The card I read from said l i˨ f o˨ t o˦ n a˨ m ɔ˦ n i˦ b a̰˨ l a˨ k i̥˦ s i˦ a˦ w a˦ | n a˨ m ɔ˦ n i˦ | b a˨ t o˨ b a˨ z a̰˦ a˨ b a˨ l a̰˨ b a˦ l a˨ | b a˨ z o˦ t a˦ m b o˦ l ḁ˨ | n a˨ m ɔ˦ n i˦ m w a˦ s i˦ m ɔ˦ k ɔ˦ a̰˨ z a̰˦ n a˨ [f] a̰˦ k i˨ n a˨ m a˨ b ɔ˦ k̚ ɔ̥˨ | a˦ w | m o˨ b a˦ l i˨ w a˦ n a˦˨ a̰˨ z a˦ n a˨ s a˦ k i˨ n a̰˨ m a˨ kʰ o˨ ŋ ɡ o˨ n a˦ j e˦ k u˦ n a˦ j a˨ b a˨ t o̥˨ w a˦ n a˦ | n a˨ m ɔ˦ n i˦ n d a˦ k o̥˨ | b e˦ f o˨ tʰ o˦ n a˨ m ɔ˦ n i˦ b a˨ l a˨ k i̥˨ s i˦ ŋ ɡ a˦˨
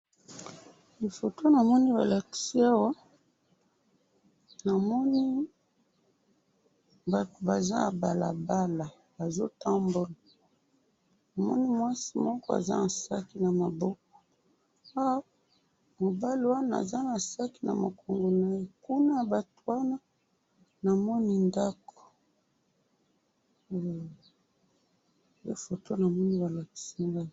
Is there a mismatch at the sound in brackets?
yes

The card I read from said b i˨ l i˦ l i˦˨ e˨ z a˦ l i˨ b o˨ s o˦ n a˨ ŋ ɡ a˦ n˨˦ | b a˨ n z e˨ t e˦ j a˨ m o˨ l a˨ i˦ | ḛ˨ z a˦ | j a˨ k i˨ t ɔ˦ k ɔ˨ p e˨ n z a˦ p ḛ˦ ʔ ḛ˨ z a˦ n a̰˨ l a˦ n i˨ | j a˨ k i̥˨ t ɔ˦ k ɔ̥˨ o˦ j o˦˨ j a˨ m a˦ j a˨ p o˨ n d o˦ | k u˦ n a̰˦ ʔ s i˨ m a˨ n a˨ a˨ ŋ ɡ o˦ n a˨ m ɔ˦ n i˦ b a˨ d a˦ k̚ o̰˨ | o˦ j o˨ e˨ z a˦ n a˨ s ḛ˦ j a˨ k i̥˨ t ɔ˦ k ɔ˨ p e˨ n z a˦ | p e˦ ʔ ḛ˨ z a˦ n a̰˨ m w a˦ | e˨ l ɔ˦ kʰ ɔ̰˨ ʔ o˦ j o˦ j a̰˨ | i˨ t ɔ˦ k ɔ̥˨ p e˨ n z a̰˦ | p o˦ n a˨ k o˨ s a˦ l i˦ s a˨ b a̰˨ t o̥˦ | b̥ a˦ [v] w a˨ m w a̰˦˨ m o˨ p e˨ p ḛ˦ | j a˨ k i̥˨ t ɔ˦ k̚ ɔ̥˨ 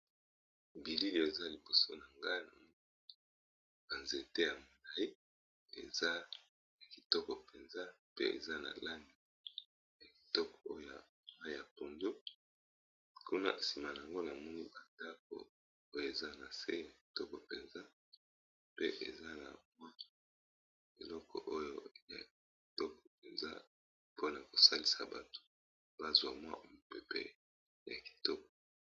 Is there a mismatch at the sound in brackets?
yes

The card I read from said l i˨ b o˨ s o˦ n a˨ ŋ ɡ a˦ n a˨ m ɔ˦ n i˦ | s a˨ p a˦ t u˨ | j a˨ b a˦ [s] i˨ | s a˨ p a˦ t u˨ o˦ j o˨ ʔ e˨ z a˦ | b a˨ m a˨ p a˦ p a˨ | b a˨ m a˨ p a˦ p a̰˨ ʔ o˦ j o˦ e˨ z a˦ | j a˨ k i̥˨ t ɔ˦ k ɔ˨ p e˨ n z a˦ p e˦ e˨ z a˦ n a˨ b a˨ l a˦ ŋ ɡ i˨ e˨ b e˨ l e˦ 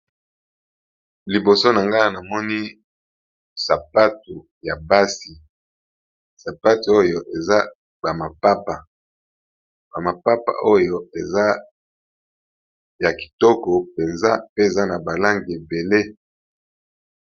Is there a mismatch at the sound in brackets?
no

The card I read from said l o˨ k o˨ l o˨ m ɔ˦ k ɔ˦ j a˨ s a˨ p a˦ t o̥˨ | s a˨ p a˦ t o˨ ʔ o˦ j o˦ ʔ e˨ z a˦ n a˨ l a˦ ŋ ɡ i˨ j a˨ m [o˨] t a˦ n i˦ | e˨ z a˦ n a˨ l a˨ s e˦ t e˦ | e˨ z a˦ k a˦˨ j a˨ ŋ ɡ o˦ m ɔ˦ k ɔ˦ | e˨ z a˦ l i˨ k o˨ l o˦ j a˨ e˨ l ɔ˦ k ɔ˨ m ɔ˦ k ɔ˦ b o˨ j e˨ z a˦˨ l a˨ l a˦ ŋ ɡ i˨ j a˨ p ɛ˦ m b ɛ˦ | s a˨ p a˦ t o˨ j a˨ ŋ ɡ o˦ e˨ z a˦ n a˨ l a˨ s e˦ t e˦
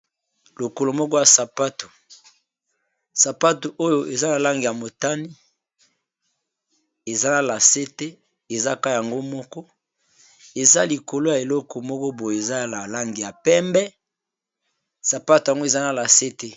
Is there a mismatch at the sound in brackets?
no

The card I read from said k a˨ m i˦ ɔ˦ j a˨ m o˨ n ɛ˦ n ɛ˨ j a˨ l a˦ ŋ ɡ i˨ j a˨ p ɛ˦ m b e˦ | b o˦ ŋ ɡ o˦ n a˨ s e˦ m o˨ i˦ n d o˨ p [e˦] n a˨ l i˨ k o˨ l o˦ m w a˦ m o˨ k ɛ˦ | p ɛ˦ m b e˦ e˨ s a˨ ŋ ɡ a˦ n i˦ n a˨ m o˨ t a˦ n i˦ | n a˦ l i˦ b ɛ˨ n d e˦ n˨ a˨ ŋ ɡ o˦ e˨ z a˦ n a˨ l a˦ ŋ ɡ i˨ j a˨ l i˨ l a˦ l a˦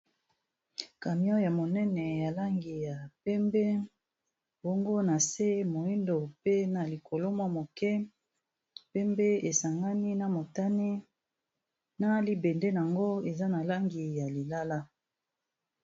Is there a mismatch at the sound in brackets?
no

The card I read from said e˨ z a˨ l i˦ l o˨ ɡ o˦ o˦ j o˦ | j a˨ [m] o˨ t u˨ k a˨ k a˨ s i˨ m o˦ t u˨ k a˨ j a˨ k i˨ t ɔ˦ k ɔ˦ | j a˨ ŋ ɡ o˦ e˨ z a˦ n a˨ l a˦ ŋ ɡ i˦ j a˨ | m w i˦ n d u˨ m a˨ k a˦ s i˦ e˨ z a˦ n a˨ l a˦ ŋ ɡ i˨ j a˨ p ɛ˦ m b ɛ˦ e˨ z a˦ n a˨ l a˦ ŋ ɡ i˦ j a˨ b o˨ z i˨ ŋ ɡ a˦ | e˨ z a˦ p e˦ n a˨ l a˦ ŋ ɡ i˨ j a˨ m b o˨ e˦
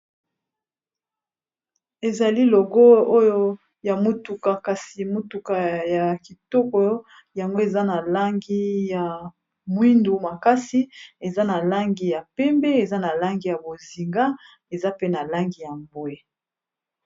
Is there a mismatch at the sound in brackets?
no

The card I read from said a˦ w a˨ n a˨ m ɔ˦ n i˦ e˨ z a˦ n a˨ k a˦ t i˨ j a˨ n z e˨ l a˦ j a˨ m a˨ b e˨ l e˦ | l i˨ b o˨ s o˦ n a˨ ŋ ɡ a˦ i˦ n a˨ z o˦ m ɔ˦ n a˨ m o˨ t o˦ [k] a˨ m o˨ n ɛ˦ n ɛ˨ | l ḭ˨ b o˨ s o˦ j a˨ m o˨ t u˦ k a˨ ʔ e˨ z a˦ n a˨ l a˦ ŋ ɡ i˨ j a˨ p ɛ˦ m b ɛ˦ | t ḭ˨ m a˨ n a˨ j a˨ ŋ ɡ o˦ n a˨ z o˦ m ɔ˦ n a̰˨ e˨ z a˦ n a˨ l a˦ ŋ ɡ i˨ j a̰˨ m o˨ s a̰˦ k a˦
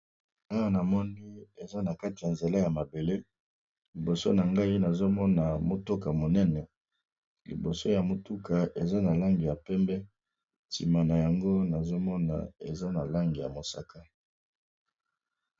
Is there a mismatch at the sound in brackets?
no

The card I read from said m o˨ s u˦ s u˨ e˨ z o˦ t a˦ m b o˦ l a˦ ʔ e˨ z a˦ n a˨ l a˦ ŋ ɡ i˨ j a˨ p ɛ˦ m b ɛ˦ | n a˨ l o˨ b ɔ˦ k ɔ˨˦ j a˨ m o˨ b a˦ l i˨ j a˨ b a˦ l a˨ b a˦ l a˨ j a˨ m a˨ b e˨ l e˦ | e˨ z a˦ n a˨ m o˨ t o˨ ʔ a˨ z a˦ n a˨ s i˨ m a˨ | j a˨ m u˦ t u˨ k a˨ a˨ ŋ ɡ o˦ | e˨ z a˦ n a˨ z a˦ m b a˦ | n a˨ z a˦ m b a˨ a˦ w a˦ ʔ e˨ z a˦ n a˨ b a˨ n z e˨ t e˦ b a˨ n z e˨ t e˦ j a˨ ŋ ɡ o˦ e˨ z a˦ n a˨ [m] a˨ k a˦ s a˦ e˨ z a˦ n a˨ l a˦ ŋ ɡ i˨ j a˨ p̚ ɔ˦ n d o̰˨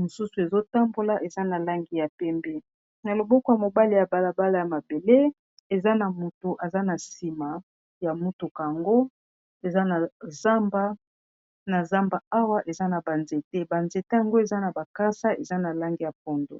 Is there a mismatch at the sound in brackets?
yes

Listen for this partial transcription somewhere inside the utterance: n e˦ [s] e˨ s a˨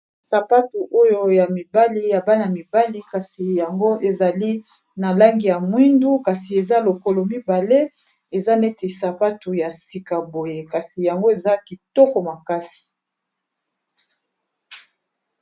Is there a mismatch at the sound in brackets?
yes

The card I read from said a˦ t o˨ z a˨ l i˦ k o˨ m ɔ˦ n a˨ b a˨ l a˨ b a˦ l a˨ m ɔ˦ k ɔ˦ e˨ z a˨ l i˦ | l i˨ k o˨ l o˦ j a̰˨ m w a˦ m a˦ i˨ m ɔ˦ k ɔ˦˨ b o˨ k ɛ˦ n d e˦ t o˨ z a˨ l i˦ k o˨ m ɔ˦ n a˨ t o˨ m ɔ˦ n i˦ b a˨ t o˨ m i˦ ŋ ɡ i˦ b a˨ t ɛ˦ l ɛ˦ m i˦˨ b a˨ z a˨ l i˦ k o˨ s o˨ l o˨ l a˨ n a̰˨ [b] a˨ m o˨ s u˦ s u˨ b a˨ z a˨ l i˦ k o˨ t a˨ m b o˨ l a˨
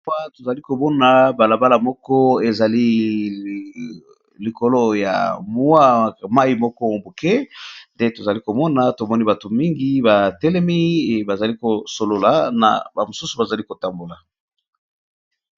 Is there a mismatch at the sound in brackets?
no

